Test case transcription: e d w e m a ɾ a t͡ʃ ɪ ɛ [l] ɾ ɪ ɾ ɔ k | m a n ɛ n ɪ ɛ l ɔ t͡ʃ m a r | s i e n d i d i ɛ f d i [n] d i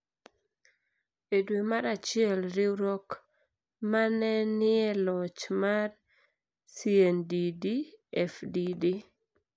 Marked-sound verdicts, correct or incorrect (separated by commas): correct, incorrect